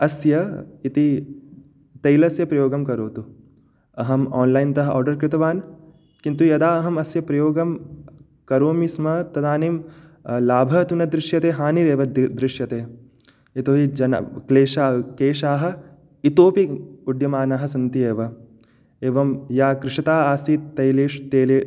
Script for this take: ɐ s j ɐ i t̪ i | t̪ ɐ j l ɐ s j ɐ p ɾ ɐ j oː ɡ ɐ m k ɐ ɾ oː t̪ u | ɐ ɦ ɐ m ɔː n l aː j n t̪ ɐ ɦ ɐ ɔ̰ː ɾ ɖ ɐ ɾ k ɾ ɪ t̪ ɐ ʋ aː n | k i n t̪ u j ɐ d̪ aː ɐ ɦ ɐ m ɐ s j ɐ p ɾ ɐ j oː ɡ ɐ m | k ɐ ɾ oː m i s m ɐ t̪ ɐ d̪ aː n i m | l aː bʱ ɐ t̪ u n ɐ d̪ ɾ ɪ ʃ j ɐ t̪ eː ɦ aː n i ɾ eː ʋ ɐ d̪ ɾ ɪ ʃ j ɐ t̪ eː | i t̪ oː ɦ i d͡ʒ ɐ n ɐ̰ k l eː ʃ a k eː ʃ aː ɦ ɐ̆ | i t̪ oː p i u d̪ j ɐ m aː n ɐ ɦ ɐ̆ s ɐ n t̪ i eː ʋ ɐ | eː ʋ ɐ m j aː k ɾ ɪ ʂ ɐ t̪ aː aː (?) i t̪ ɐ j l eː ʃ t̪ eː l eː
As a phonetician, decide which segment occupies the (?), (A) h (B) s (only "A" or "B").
B